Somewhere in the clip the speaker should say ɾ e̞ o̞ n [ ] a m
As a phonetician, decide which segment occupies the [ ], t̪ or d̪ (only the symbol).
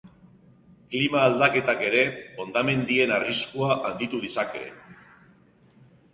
d̪